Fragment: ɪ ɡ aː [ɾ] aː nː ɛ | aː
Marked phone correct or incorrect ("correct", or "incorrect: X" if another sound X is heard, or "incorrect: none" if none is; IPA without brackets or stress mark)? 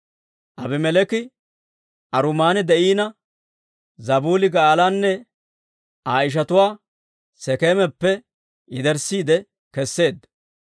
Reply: incorrect: l